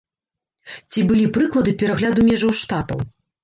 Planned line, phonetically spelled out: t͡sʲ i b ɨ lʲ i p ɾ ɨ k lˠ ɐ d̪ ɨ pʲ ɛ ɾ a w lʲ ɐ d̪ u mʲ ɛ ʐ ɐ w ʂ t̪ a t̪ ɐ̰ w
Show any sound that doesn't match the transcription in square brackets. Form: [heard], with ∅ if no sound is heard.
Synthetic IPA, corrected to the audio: t͡sʲ i b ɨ lʲ i p ɾ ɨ k lˠ ɐ d̪ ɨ pʲ ɛ ɾ a [ɣ] lʲ [a] d̪ u mʲ ɛ ʐ ɐ w ʂ t̪ a t̪ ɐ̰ w